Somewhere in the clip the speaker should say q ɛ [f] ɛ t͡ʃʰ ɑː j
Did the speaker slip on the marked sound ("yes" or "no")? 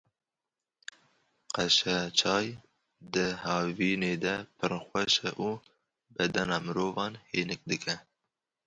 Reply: yes